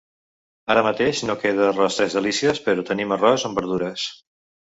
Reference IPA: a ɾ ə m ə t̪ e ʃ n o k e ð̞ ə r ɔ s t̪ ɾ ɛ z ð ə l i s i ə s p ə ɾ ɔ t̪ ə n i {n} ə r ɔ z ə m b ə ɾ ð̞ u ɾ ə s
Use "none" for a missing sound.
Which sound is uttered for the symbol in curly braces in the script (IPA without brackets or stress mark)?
m